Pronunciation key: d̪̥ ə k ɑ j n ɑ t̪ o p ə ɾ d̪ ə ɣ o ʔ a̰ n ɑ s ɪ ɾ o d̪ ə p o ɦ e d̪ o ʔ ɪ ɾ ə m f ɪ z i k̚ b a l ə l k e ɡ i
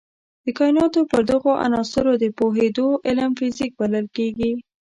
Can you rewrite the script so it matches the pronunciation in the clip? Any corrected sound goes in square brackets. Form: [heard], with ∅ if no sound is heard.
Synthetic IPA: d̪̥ ə k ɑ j n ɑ t̪ o p ə ɾ d̪ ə ɣ o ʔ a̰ n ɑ s ɪ ɾ o d̪ ə p o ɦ e d̪ o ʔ ɪ [l] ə m f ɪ z i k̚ b a l ə l k e ɡ i